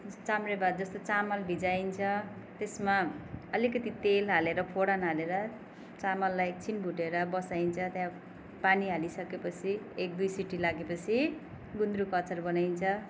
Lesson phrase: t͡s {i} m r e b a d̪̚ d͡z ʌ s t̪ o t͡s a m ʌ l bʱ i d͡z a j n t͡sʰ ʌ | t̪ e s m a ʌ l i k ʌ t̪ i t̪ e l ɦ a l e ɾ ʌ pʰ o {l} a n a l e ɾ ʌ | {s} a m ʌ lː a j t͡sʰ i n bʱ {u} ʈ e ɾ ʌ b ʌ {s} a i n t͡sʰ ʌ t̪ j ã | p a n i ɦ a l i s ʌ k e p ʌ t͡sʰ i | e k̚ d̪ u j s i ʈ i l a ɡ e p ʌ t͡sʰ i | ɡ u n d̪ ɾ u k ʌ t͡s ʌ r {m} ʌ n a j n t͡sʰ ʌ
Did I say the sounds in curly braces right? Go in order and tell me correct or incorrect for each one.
incorrect, incorrect, incorrect, correct, correct, incorrect

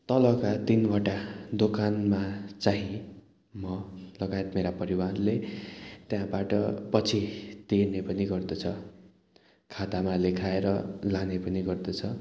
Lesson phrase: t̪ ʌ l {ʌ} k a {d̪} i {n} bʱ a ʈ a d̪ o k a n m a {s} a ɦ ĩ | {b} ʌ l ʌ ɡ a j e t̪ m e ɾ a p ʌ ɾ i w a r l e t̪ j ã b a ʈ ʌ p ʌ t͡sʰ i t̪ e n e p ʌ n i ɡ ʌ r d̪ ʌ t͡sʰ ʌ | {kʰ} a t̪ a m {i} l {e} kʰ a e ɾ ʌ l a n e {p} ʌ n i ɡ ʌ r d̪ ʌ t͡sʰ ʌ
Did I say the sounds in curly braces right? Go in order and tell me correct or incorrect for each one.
correct, incorrect, correct, incorrect, incorrect, correct, incorrect, correct, correct

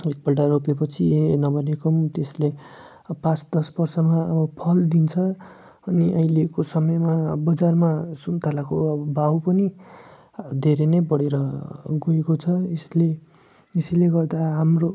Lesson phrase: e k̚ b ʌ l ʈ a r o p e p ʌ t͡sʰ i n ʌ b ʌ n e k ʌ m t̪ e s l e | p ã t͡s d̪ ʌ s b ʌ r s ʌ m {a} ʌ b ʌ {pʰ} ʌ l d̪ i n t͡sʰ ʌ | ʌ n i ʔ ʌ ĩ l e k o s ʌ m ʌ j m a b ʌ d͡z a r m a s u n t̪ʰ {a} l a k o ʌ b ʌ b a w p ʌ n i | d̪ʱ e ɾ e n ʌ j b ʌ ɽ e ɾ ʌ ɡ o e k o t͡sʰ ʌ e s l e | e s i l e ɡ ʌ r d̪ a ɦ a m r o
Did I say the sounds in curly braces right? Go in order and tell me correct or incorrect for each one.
correct, correct, correct

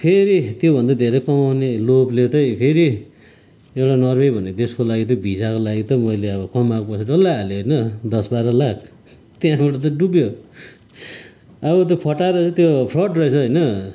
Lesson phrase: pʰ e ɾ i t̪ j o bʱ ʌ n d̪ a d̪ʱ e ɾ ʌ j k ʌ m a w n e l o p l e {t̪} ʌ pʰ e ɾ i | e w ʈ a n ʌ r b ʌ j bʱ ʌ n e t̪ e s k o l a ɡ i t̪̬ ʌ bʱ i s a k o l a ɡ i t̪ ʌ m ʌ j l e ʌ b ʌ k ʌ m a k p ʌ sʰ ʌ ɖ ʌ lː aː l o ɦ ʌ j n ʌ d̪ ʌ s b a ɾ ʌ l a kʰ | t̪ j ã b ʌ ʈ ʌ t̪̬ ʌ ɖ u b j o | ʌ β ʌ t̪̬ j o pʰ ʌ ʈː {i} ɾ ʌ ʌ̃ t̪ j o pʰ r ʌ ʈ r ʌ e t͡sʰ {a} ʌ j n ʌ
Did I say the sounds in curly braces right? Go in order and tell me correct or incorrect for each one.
correct, incorrect, incorrect

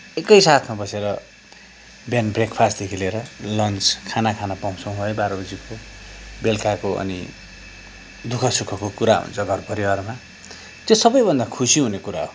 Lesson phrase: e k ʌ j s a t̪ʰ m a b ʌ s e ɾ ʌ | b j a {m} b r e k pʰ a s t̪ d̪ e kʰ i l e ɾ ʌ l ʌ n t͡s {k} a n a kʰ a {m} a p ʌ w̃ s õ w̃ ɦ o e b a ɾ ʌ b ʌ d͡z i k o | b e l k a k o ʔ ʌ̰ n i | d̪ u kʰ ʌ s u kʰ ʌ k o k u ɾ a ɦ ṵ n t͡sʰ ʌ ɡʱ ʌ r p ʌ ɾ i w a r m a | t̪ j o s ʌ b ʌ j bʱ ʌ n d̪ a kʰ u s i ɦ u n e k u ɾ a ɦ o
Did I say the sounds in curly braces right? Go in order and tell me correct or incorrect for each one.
incorrect, incorrect, incorrect

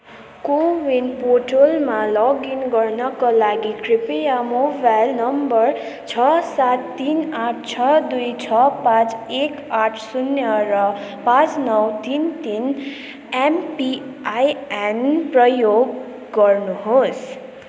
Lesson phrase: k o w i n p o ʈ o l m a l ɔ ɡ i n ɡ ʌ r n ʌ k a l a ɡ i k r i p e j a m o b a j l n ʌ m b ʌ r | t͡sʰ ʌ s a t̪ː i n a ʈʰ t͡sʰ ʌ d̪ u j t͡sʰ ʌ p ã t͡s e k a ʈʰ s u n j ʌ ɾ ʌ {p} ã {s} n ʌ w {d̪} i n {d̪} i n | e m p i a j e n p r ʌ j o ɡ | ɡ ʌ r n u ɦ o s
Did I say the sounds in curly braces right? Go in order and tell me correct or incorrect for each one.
correct, incorrect, incorrect, incorrect

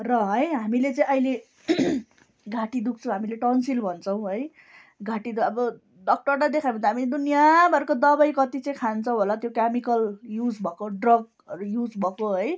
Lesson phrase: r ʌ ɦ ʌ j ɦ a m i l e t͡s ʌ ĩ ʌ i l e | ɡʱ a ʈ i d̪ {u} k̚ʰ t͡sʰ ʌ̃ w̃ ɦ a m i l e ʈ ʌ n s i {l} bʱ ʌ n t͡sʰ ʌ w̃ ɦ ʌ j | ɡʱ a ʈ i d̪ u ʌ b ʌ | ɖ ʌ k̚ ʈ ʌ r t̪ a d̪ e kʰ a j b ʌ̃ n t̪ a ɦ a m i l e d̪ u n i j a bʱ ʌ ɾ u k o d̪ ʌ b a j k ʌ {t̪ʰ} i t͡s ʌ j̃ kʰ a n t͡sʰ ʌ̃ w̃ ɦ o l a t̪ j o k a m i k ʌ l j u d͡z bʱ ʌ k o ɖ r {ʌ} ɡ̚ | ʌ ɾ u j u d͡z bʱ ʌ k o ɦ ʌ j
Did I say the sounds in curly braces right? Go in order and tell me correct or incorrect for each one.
correct, correct, incorrect, correct

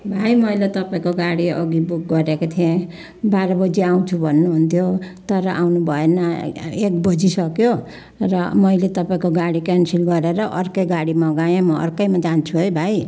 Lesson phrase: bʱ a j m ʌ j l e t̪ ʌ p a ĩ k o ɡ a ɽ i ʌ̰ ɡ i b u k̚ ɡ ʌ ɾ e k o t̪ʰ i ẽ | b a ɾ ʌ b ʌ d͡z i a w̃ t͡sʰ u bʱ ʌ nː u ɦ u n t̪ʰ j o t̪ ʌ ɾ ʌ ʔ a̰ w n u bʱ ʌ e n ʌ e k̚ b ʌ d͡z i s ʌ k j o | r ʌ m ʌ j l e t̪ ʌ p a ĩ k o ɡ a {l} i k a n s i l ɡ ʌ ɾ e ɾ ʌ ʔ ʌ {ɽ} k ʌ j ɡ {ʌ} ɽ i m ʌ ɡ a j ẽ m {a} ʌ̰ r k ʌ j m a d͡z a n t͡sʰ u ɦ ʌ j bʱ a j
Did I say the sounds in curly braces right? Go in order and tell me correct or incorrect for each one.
incorrect, incorrect, incorrect, incorrect

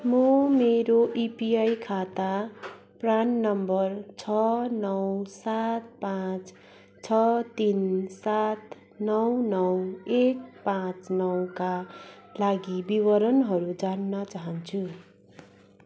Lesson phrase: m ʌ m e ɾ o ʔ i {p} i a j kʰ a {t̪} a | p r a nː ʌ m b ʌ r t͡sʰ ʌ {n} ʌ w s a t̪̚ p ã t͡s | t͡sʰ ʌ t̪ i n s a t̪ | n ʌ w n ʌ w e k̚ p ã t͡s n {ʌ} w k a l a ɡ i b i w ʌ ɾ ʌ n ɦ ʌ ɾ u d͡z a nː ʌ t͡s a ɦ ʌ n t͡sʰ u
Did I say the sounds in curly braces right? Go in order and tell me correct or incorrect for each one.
correct, correct, correct, correct

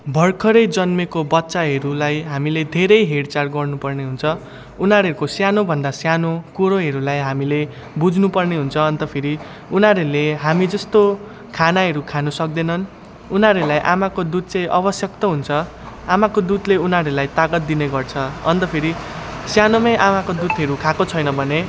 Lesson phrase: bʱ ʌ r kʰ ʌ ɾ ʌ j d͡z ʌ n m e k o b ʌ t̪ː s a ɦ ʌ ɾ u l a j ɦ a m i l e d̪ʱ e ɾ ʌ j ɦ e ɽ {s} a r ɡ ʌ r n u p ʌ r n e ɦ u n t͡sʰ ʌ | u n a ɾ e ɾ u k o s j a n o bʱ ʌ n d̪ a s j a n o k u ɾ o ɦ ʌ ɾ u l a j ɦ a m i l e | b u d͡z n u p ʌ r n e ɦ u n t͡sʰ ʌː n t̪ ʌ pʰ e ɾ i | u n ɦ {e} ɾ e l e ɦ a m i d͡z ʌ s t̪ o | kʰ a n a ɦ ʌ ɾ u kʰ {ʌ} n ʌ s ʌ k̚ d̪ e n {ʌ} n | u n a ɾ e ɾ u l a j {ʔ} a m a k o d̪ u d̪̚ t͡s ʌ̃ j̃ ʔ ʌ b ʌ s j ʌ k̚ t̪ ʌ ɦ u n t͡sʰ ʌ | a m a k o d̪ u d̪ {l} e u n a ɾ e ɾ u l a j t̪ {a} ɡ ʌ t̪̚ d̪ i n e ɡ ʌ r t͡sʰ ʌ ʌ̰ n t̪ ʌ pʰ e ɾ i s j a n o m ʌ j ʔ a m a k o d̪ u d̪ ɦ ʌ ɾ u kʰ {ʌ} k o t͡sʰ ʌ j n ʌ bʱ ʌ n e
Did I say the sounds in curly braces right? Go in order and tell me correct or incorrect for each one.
incorrect, incorrect, incorrect, correct, correct, correct, correct, incorrect

